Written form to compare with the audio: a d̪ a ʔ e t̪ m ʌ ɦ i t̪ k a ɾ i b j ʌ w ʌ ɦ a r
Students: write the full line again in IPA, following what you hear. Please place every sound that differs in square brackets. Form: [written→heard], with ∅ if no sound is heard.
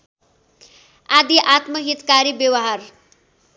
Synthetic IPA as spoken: a d̪ [a→i] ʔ [e→a] t̪ m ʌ ɦ i t̪ k a ɾ i b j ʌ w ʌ ɦ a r